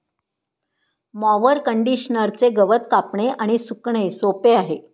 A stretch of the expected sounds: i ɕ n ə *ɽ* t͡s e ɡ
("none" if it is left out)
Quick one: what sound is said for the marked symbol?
ɾ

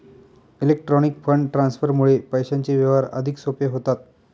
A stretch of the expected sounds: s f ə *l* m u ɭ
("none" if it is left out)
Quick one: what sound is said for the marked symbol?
ɾ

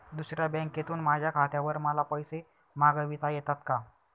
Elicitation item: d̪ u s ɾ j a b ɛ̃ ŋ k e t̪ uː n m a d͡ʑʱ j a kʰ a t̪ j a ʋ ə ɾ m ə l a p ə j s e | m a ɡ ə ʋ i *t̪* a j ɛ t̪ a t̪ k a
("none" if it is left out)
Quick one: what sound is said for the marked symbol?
t̪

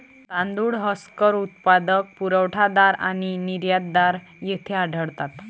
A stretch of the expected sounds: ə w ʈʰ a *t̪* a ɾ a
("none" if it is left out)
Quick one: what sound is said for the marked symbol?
d̪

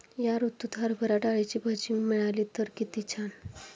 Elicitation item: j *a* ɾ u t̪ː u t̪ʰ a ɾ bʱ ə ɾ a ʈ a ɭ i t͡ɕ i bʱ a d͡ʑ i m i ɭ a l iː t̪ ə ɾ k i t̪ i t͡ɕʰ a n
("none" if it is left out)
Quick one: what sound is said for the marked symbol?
a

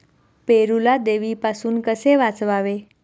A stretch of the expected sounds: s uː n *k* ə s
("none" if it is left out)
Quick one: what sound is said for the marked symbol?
k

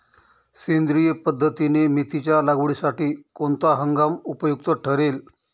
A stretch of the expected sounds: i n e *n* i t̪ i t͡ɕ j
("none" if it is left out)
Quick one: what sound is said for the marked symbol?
m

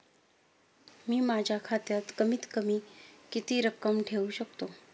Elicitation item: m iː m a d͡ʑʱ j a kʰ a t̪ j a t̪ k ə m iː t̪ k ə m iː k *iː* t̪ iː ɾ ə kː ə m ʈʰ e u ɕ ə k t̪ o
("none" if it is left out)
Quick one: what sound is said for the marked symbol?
i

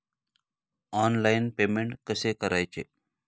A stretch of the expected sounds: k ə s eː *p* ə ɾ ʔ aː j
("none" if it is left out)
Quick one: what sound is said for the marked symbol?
k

